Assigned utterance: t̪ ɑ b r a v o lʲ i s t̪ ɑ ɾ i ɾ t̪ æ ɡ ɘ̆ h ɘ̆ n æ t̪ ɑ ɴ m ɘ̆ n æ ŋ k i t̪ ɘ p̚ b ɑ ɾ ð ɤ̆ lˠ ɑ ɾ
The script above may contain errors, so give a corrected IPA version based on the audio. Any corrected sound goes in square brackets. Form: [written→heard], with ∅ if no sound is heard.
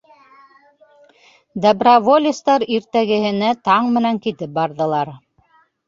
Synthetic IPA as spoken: [t̪→d̪] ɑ b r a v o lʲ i s t̪ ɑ ɾ i ɾ t̪ æ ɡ ɘ̆ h ɘ̆ n æ t̪ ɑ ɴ m ɘ̆ n æ ŋ k i t̪ ɘ p̚ b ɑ ɾ ð ɤ̆ lˠ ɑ ɾ